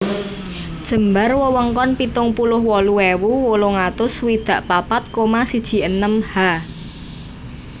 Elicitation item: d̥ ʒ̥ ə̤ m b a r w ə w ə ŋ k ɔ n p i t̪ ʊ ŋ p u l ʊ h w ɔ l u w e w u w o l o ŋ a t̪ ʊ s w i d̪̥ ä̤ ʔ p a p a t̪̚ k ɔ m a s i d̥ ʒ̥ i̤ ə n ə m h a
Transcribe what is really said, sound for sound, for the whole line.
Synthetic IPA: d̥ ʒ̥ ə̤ m b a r w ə w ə ŋ k ɔ n p i t̪ ʊ ŋ p u l ʊ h w ɔ l u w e w u w o l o ŋ a t̪ ʊ s w i d̪̥ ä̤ ʔ p a p a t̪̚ k o m a s i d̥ ʒ̥ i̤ ə n ə m h a